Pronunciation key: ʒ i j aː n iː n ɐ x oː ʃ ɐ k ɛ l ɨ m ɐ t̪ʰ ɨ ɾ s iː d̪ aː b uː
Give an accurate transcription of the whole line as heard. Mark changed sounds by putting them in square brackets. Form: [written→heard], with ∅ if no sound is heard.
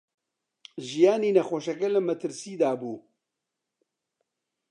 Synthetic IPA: ʒ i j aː n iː n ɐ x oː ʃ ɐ k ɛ l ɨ m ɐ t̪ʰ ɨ ɾ s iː d̪ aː b uː